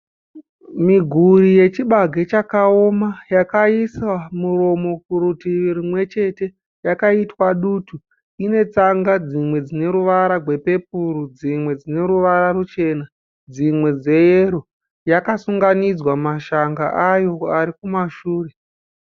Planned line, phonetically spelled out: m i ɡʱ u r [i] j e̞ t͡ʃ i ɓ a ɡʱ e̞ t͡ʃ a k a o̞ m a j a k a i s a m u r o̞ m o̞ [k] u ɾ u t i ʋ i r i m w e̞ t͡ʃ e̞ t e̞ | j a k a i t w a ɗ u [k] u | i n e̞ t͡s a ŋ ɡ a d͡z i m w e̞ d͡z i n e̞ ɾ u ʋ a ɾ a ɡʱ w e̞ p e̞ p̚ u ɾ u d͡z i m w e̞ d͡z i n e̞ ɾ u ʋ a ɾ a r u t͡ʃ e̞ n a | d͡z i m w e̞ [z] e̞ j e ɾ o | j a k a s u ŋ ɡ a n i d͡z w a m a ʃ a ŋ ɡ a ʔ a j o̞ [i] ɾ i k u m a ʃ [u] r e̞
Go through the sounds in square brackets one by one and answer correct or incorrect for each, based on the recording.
correct, correct, incorrect: t, incorrect: d͡z, incorrect: a, incorrect: uː

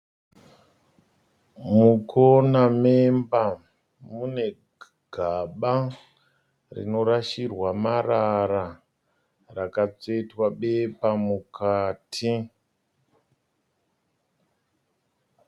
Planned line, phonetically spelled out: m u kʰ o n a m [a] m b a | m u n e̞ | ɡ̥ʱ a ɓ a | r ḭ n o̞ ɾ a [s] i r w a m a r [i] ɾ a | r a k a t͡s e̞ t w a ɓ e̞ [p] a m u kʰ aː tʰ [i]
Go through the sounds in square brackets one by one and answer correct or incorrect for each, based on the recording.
incorrect: e, incorrect: ʃ, incorrect: a, correct, correct

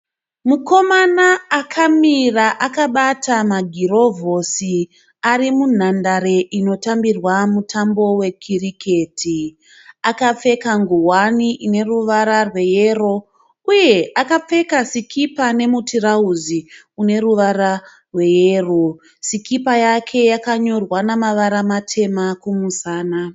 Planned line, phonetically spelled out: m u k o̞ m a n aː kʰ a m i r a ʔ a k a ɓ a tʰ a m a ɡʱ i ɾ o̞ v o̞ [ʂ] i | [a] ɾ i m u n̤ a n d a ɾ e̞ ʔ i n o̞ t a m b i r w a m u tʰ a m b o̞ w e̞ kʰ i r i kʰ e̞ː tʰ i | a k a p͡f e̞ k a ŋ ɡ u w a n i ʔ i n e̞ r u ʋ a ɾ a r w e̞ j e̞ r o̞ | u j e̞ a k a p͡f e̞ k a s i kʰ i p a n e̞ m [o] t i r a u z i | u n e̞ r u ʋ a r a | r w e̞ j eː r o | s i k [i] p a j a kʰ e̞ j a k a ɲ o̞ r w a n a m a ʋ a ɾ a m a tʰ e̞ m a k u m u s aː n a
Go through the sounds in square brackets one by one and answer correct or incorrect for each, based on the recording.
incorrect: s, correct, incorrect: u, correct

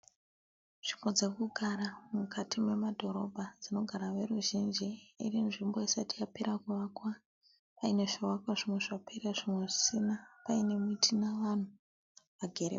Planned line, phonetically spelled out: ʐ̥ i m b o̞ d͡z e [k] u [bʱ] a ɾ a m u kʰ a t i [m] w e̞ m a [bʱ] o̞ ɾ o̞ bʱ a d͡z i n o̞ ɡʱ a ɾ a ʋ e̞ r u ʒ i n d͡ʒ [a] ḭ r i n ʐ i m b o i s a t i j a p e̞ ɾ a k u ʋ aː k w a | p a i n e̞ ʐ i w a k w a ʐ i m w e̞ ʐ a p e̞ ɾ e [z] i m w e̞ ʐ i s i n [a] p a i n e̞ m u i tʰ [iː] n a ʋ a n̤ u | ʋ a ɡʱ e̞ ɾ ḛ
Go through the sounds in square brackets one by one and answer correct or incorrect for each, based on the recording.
correct, incorrect: ɡʱ, correct, incorrect: dʱ, incorrect: i, incorrect: ʐ, correct, incorrect: i

